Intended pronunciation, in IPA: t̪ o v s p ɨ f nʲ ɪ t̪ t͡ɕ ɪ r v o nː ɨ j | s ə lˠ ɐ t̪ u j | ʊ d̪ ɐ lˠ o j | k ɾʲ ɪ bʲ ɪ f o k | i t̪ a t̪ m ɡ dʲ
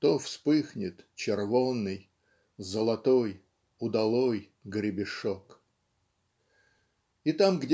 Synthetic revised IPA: t̪ o f s p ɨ x nʲ ɪ t̪ t͡ɕ ɪ r v o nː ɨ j | z ə lˠ ɐ t̪ o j | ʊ d̪ ɐ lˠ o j | ɡ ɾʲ ɪ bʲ ɪ ʂ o k | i t̪ a m ɡ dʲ

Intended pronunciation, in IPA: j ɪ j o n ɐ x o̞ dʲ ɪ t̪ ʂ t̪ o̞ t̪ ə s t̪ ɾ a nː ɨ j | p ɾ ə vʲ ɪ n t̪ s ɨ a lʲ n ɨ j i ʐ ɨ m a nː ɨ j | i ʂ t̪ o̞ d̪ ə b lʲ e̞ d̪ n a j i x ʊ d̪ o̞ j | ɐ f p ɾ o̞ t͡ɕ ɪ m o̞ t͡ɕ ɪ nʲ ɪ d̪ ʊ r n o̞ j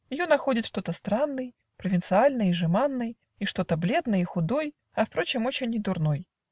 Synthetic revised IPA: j ɪ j o n ɐ x o̞ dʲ ɪ t̪ ʂ t̪ o̞ t̪ ə s t̪ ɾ a nː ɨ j | p ɾ ə vʲ ɪ n t̪ s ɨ a lʲ n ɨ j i ʐ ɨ m a nː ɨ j | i ʂ t̪ o̞ t̪ ə b lʲ e̞ d̪ n ə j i x ʊ d̪ o̞ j | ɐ f p ɾ o̞ t͡ɕ ɪ m o̞ t͡ɕ ɪ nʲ ɪ d̪ ʊ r n o̞ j

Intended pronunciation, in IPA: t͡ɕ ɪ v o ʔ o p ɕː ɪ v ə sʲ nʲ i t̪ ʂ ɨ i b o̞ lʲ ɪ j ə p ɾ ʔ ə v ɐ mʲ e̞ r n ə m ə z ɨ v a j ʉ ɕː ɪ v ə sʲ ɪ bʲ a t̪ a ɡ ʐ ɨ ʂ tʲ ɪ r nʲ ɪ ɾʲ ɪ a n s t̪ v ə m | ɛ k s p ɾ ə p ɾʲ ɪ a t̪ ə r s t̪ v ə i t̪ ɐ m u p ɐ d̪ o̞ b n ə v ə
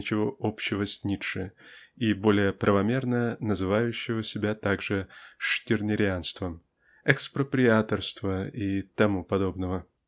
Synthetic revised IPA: t͡ɕ ɪ v o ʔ o p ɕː ɪ v ə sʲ nʲ i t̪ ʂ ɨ i b o̞ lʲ ɪ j ə p ɾ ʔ ə v ɐ mʲ e̞ r n ə n ə z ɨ v a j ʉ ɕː ɪ v ə sʲ ɪ bʲ a t̪ a ɡ ʐ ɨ ʂ tʲ ɪ r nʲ ɪ ɾʲ ɪ a n s t̪ v ə m | ɛ k s p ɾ ə p ɾʲ ɪ a t̪ ə r s t̪ v ə i t̪ ɐ m u p ɐ d̪ o̞ b n ə v ə

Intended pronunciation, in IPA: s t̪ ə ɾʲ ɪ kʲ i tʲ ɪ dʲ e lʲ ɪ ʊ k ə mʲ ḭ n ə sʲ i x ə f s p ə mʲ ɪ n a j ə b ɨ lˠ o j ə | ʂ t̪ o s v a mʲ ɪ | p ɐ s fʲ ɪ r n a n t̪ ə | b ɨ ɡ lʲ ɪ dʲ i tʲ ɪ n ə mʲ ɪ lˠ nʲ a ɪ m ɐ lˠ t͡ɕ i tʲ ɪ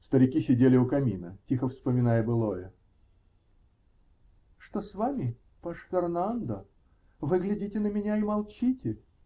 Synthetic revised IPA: s t̪ ə ɾʲ ɪ kʲ i sʲ ɪ dʲ e lʲ ɪ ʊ k ɐ mʲ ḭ n ə tʲ i x ə f s p ə mʲ ɪ n a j ə b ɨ lˠ o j ə | ʂ t̪ o s v a mʲ ɪ | p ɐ ʂ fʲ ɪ r n a n d̪ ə | v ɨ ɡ lʲ ɪ dʲ i tʲ ɪ n ə mʲ ɪ nʲ a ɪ m ɐ lˠ t͡ɕ i tʲ ɪ

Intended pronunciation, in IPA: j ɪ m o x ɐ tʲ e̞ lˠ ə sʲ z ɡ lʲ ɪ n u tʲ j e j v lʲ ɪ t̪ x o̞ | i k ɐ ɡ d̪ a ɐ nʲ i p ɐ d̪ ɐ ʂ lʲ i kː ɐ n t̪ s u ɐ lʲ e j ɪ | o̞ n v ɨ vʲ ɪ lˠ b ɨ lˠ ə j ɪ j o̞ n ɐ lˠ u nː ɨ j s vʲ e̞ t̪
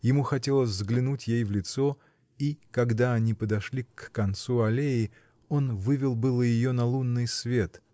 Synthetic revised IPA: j ɪ m u x ɐ tʲ e̞ lˠ ə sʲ z ɡ lʲ ɪ n u tʲ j e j v lʲ ɪ t̪ s o̞ | i k ɐ ɡ d̪ a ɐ nʲ i p ə d̪ ɐ ʂ lʲ i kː ɐ n t̪ s u ɐ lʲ e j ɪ | o̞ n v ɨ vʲ ɪ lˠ b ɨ lˠ ə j ɪ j o̞ n ɐ lˠ u nː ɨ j s vʲ e̞ t̪

